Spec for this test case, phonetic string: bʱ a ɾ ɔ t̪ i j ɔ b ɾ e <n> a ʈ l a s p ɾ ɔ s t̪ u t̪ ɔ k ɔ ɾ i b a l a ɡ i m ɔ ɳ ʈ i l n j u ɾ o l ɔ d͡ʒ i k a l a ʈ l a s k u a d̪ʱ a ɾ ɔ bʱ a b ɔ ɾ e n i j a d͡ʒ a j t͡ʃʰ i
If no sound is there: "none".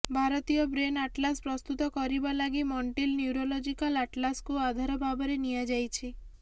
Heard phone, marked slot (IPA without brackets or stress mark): n